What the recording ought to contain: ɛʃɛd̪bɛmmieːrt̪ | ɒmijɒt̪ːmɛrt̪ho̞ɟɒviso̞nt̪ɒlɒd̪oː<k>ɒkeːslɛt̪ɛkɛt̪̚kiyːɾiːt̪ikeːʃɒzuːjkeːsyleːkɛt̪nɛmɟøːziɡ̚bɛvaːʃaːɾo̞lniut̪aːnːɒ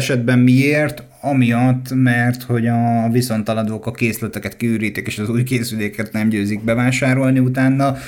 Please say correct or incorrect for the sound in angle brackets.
correct